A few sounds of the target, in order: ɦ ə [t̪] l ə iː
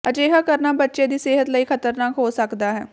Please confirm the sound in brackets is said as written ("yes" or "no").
yes